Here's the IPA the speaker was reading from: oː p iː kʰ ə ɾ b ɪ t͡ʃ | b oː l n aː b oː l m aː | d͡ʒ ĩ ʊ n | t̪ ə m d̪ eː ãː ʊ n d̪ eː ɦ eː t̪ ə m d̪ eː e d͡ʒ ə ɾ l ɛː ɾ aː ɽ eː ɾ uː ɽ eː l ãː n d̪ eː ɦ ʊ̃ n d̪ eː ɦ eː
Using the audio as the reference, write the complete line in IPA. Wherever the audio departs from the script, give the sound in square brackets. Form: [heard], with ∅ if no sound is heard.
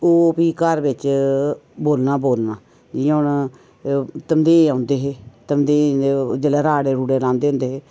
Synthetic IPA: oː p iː [k] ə ɾ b ɪ t͡ʃ | b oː l n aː b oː l [n] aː | d͡ʒ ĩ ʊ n | t̪ ə m d̪ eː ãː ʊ n d̪ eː ɦ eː t̪ ə m d̪ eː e d͡ʒ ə [∅] l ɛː ɾ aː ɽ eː ɾ uː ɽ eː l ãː n d̪ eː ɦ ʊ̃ n d̪ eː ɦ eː

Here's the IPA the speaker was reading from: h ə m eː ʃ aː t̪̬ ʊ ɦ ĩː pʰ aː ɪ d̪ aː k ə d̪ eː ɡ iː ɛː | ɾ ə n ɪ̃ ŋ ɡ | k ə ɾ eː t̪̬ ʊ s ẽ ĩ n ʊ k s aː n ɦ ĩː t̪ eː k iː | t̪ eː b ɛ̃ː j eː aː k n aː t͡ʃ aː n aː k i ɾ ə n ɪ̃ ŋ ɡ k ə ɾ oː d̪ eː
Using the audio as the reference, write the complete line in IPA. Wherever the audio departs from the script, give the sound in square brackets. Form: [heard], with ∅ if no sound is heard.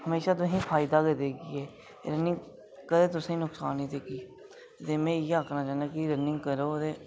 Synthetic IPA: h ə m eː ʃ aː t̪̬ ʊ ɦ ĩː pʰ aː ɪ d̪ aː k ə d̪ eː ɡ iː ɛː | ɾ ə n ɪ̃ ŋ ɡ | k ə ɾ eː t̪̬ ʊ s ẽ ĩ n ʊ k s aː n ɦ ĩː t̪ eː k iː | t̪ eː [m] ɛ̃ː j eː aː k n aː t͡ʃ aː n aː k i ɾ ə n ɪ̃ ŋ ɡ k ə ɾ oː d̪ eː

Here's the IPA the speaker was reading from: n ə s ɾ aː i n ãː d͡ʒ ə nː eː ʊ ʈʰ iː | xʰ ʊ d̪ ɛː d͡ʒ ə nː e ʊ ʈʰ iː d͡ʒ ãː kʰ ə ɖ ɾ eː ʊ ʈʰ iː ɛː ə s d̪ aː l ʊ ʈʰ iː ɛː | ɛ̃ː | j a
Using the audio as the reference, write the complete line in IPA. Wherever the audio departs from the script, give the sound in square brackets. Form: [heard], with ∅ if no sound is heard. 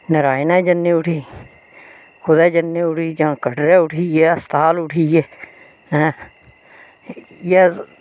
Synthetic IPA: n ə [∅] ɾ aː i n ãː d͡ʒ ə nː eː ʊ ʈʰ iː | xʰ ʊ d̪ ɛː d͡ʒ ə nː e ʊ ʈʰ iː d͡ʒ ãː [k] ə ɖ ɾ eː ʊ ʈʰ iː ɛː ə s [t̪] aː l ʊ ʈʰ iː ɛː | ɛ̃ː | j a

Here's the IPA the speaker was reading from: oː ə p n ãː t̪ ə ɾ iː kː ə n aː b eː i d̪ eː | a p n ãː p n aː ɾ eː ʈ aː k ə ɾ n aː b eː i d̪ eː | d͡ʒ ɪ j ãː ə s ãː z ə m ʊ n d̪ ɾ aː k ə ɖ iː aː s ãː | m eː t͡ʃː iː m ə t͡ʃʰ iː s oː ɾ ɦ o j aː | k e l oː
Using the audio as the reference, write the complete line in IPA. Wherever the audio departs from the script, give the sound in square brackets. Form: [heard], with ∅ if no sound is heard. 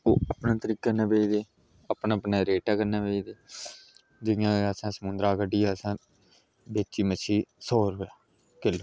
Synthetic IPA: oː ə p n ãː t̪ ə ɾ iː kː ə n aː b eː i d̪ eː | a p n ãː p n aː ɾ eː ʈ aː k ə ɾ n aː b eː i d̪ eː | d͡ʒ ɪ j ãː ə s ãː [s] ə m ʊ n d̪ ɾ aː k ə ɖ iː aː s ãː | [b] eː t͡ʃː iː m ə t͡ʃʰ iː s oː ɾ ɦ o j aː | k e l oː

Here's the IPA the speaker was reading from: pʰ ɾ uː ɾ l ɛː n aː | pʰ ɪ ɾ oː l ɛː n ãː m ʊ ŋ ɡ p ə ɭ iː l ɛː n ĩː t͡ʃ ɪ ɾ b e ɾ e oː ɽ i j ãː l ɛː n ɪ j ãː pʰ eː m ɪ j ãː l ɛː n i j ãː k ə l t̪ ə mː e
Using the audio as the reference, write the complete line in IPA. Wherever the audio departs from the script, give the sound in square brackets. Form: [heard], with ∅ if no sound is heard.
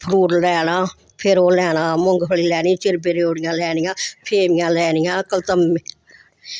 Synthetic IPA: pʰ ɾ uː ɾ l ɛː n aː | pʰ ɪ ɾ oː l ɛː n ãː m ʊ ŋ ɡ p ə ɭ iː l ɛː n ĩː t͡ʃ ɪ ɾ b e ɾ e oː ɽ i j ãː l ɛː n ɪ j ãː pʰ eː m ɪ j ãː l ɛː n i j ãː k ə l t̪ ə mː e

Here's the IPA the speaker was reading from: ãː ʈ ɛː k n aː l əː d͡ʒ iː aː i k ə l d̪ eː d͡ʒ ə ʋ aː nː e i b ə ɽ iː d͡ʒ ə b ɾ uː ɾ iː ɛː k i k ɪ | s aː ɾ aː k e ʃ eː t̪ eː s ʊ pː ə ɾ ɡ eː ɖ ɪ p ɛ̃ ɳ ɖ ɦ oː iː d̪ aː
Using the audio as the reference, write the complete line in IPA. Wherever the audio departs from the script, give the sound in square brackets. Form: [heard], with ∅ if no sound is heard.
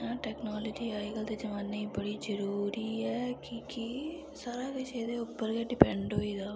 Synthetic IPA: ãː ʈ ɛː k n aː l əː d͡ʒ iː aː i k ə l d̪ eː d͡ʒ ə ʋ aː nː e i b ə ɽ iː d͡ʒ ə [∅] ɾ uː ɾ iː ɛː k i k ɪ | s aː ɾ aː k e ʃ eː [d̪] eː [∅] ʊ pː ə ɾ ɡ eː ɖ ɪ p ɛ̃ ɳ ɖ ɦ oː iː d̪ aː

